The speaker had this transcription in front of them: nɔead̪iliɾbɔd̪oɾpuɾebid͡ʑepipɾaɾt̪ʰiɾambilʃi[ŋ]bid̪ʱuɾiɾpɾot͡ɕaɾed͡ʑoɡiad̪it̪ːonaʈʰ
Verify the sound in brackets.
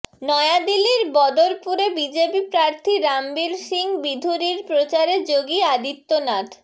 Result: correct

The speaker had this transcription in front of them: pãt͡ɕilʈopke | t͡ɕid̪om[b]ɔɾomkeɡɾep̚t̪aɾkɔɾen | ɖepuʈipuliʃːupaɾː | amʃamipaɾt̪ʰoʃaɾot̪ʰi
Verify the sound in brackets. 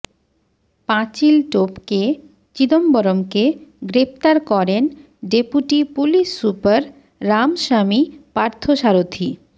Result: correct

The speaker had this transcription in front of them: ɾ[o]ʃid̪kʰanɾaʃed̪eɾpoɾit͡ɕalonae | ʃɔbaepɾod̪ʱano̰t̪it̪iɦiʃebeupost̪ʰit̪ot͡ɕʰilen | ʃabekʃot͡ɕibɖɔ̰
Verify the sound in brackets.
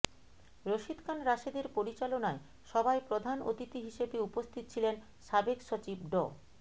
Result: correct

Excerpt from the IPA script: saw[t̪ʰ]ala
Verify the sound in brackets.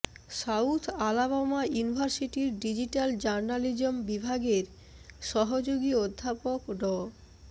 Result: correct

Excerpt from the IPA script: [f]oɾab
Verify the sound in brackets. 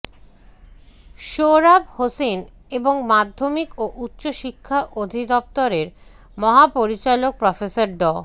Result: incorrect: ʃ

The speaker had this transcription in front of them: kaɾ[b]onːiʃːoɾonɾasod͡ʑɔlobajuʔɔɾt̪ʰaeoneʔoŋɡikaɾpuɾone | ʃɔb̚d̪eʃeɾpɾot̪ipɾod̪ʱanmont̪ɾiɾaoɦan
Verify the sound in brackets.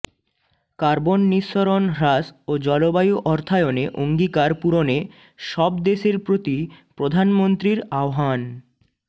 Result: correct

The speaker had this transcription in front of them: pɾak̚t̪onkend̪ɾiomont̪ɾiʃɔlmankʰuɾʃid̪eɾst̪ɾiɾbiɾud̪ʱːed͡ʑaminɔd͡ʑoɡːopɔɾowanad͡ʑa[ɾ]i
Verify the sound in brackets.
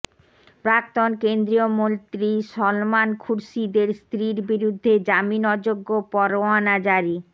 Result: correct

